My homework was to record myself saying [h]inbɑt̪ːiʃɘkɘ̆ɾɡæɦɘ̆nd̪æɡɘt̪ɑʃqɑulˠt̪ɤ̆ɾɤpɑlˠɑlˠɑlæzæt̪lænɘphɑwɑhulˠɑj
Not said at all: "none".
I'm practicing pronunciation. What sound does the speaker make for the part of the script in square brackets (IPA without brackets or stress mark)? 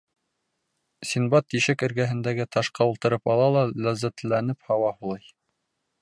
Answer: s